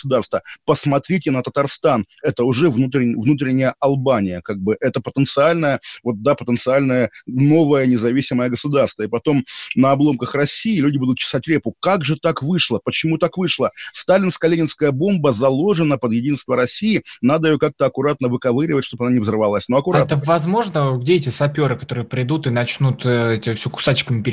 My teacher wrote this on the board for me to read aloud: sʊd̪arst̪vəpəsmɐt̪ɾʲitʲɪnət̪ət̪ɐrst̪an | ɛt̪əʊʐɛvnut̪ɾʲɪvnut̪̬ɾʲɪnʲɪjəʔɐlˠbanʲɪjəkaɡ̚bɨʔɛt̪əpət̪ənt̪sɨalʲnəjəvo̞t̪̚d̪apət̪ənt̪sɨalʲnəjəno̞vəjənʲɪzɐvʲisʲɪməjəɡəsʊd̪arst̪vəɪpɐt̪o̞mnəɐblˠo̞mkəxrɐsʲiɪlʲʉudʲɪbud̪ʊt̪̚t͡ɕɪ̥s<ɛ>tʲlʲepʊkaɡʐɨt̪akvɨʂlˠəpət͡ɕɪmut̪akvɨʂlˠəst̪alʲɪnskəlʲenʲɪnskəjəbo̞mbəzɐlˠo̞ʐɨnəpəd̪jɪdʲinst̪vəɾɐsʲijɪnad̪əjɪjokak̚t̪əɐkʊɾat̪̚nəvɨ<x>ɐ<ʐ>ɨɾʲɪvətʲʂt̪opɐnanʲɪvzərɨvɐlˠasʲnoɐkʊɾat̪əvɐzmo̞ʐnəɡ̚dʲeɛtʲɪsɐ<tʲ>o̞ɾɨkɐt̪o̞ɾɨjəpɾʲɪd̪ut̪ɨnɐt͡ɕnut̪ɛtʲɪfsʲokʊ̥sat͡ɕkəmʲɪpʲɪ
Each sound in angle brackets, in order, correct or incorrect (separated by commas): incorrect, incorrect, incorrect, incorrect